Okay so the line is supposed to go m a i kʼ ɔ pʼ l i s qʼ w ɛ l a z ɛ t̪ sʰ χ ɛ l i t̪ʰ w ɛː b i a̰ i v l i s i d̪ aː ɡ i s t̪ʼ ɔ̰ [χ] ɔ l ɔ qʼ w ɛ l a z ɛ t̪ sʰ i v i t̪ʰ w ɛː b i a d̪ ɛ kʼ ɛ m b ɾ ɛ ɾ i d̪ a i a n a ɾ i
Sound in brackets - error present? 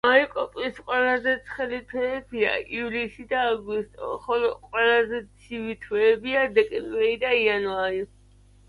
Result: no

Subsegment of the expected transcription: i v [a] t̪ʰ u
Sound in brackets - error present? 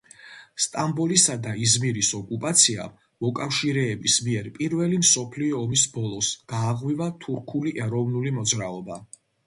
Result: no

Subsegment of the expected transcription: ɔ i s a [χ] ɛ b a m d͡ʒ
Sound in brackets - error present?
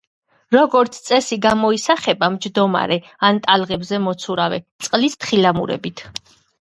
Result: no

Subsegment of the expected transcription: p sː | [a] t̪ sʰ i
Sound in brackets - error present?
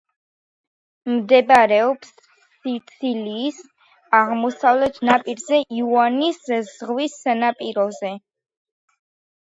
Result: yes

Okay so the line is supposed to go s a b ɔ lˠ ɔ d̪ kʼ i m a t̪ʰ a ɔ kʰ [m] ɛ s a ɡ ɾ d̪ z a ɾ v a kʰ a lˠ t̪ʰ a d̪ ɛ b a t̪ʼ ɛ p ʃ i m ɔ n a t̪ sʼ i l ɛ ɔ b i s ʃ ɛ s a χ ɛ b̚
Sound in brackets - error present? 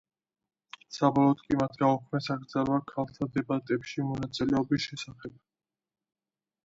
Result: no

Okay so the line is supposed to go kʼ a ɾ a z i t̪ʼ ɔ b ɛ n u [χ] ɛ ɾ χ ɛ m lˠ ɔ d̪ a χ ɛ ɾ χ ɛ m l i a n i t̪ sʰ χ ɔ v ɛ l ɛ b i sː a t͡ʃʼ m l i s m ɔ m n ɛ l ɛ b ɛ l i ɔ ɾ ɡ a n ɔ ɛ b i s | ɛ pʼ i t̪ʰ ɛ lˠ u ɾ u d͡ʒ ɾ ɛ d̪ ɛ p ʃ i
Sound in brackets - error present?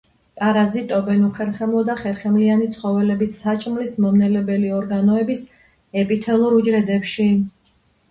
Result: no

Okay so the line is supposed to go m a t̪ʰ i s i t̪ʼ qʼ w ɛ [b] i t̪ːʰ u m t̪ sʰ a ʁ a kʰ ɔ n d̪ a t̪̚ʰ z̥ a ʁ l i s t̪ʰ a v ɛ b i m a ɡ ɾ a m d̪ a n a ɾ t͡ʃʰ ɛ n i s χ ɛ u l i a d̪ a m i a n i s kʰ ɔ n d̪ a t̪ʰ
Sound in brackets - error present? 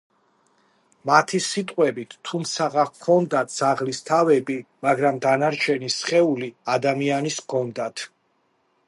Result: no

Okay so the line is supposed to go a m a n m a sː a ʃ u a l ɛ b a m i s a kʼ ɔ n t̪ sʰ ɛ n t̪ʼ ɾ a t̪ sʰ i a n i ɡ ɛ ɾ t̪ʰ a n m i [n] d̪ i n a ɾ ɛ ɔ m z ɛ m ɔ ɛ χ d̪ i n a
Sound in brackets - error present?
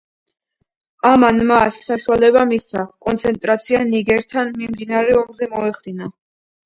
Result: yes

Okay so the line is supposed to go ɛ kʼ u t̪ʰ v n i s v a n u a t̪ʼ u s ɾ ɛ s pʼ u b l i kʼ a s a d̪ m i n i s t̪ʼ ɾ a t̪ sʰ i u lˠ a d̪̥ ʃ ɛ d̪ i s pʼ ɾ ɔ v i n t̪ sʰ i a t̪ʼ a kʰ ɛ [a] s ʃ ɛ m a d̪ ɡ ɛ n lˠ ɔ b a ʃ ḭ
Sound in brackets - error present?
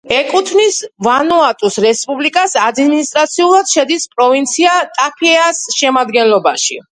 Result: no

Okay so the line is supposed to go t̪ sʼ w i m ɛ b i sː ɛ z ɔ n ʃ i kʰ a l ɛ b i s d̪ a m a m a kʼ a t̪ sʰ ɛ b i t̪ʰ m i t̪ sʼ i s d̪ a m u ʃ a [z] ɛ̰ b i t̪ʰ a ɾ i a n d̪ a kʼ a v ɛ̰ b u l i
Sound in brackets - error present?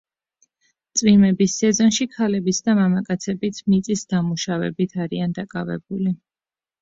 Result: yes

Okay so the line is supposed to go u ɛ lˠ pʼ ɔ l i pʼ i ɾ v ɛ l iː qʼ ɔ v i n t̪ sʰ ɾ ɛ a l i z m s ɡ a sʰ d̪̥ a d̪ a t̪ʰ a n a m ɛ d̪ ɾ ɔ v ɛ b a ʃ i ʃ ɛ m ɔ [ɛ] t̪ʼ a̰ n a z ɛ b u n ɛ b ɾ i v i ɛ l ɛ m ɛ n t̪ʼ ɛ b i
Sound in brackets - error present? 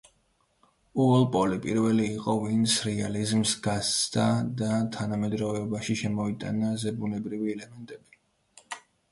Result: yes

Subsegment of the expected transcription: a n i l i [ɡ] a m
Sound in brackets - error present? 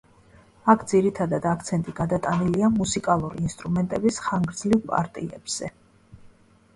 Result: yes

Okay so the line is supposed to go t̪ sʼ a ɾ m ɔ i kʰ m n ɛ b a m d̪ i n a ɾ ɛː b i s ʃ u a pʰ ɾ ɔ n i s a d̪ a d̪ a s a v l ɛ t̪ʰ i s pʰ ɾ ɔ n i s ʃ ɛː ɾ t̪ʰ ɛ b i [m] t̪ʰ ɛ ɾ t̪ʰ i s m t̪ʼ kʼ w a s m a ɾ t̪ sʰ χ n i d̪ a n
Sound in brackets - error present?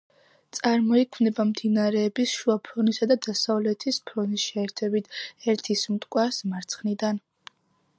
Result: yes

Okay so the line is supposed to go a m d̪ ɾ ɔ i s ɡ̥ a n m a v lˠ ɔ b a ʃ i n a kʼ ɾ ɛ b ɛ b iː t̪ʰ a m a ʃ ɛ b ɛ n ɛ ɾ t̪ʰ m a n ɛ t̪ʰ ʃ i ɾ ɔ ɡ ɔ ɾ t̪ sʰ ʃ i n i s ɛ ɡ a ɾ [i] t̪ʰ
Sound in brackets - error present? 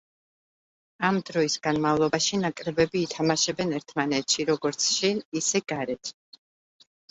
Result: yes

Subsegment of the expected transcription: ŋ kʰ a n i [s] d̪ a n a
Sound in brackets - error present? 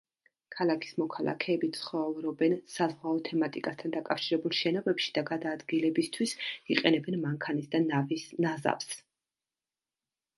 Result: no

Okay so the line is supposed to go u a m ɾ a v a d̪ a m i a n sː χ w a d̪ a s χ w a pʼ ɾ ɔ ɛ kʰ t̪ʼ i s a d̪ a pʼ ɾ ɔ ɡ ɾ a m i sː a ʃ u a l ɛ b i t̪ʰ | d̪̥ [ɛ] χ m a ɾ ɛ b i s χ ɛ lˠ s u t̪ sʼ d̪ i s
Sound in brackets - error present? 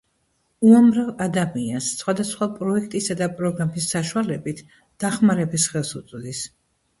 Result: yes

